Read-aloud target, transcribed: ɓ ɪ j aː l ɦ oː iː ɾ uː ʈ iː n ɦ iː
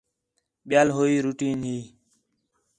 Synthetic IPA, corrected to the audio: ɓ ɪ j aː l ɦ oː iː ɾ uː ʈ iː n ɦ iː